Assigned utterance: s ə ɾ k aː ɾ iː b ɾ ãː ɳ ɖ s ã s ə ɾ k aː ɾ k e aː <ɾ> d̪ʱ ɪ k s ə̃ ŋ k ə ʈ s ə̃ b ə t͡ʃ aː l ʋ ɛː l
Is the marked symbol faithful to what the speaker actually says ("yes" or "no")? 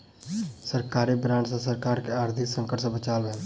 yes